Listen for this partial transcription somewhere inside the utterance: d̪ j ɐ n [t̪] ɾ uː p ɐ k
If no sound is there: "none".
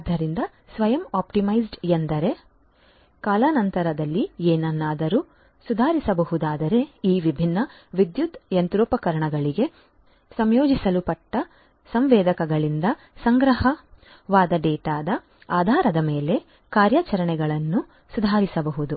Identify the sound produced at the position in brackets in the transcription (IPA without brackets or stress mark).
t̪